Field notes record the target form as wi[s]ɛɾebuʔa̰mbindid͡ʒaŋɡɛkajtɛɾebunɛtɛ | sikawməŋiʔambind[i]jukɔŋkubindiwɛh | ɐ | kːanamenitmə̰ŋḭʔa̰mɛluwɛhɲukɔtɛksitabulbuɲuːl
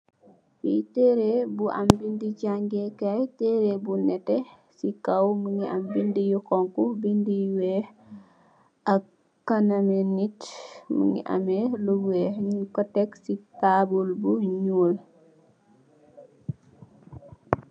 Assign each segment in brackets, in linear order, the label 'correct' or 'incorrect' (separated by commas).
incorrect, correct